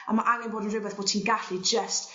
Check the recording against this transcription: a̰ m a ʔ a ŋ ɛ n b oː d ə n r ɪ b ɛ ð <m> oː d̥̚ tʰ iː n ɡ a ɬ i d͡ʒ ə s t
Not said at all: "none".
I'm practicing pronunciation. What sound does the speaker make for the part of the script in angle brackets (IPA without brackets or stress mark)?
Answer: b